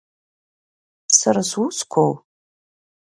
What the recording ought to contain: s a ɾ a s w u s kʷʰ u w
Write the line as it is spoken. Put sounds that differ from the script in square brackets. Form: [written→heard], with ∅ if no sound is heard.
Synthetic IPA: s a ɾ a s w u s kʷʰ [u→o] w

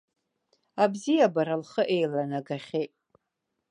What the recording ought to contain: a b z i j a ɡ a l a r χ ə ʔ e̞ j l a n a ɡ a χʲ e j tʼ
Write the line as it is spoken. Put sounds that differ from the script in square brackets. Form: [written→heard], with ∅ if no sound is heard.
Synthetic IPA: a b z i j a [ɡ→b] a [l→ɾ] a [r→l] χ ə ʔ e̞ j l a n a ɡ a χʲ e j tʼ

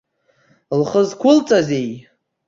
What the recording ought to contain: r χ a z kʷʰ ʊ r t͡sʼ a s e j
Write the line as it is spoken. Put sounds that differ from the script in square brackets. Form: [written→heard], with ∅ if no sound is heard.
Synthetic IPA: [r→l] χ [a→ə] z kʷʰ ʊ [r→l] t͡sʼ a [s→z] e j

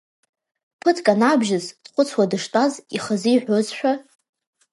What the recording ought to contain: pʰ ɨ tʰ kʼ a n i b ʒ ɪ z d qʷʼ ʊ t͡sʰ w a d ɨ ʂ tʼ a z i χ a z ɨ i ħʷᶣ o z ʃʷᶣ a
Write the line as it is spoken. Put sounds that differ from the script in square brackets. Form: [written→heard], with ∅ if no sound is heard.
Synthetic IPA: pʰ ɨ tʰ kʼ a n [i→a] b ʒ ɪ z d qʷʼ ʊ t͡sʰ w a d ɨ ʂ tʼ a z i χ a z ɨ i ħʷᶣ o z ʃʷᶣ a

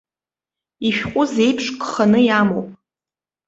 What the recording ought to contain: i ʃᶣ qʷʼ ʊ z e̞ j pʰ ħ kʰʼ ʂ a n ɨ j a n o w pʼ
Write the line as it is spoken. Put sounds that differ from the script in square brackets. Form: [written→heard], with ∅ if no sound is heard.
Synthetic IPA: i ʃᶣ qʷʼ ʊ z e̞ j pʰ [ħ→ʂ] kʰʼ [ʂ→χ] a n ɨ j a [n→m] o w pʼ

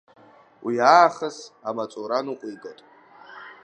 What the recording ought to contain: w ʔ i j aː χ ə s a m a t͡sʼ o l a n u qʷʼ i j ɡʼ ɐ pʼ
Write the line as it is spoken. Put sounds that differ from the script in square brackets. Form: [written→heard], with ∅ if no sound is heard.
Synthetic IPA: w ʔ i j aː χ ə s a m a t͡sʼ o [l→ɾ] a n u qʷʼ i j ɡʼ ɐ [pʼ→tʼ]

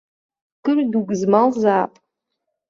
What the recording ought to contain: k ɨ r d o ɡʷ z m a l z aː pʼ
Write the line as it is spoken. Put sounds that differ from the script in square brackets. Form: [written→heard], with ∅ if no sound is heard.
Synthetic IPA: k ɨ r d [o→u] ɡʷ z m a l z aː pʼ

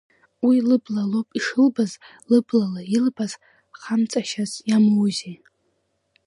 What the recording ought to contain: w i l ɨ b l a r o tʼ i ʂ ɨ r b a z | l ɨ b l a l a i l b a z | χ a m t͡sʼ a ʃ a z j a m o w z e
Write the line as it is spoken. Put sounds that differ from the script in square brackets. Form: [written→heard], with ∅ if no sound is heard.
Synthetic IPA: w i l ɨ b l a [r→l] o [tʼ→pʼ] i ʂ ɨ [r→l] b a z | l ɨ b l a l a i l b a z | χ a m t͡sʼ a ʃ a z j a m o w z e

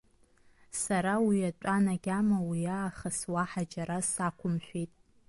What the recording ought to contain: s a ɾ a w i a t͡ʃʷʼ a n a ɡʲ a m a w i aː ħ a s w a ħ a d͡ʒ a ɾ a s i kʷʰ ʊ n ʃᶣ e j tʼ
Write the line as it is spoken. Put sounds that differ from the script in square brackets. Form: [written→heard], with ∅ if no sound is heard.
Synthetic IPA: s a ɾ a w i a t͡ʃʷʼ a n a ɡʲ a m a w i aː [ħ→χ] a s w a ħ a d͡ʒ a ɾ a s [i→a] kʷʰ ʊ [n→m] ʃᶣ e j tʼ

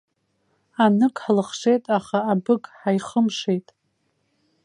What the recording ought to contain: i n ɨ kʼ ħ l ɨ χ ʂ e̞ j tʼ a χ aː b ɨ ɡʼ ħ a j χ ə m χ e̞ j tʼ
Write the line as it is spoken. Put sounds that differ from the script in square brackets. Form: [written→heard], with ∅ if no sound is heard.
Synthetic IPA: [i→a] n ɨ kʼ ħ l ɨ χ ʂ e̞ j tʼ a χ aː b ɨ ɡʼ ħ a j χ ə m [χ→ʂ] e̞ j tʼ

